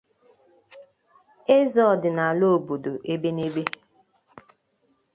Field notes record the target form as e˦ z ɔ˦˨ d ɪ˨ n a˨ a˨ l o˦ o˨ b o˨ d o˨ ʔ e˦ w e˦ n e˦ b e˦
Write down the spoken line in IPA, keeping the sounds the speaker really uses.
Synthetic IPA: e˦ z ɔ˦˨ d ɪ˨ n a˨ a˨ l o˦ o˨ b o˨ d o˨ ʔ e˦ b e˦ n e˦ b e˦